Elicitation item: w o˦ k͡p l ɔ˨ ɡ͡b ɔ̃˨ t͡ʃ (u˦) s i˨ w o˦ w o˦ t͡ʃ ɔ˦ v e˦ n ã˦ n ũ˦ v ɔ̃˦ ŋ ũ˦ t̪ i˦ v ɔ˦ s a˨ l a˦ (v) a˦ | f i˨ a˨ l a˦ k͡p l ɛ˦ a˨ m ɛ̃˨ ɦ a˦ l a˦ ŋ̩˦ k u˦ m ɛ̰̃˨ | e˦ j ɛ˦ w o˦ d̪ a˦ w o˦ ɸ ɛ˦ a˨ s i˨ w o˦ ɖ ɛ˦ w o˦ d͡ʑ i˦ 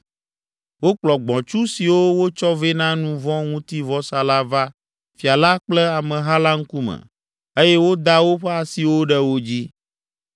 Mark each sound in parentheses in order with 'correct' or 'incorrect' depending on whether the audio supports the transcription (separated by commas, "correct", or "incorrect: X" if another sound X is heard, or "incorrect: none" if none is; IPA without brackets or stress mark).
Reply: correct, correct